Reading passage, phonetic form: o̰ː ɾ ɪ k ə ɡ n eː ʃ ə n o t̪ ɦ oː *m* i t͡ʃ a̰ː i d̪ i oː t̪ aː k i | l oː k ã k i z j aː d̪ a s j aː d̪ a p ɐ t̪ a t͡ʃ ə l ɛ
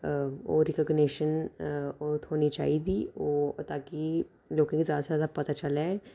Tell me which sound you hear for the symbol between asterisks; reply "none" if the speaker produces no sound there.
n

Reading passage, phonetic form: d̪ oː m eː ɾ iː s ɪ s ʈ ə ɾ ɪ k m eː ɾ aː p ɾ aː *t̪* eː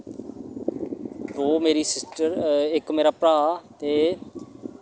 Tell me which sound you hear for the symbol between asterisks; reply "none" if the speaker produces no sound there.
t̪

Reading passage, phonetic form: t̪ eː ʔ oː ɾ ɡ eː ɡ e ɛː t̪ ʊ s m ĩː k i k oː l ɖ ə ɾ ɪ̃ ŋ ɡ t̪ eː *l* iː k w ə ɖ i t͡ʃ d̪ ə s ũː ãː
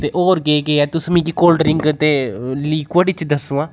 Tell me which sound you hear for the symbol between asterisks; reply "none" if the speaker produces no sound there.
l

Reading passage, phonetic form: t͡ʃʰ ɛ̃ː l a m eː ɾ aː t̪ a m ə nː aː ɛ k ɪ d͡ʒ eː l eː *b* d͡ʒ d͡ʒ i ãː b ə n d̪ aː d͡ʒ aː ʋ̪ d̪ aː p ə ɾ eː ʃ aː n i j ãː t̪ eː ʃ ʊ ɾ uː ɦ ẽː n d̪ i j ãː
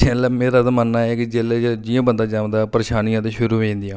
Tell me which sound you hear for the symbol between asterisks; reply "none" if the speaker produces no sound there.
none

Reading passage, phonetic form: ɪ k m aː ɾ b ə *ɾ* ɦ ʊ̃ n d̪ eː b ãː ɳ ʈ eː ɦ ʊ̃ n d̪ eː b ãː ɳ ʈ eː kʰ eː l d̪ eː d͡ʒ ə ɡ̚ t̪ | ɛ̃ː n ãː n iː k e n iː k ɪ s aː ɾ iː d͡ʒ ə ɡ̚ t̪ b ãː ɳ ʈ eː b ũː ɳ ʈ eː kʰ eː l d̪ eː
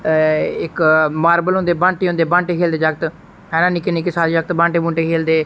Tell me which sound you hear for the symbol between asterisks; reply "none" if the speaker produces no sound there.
l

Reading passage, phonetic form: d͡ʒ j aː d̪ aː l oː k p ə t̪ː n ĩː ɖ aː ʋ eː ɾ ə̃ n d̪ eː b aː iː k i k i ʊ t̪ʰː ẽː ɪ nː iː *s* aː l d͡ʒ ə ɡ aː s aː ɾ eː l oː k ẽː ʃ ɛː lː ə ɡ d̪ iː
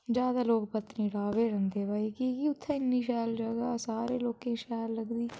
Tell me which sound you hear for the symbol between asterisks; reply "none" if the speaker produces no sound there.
ʃ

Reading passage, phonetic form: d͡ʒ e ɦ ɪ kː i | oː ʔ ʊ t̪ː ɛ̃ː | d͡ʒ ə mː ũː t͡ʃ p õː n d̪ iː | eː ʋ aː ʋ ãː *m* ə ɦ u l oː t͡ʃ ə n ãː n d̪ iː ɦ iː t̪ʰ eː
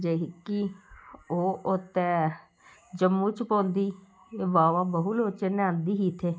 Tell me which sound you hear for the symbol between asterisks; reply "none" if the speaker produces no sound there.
b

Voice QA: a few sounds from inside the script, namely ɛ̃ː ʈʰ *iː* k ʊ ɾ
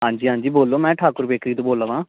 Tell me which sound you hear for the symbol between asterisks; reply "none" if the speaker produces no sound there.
aː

